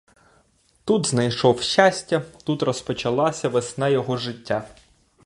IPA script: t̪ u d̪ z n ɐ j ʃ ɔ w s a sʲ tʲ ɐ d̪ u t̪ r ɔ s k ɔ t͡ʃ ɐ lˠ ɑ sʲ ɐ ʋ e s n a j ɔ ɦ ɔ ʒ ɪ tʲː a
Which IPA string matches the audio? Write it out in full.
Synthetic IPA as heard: t̪ u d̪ z n ɐ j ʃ ɔ w ʃ a sʲ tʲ ɐ t̪ u t̪ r ɔ s p ɔ t͡ʃ ɐ lˠ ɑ sʲ ɐ ʋ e s n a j ɔ ɦ ɔ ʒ ɪ tʲː a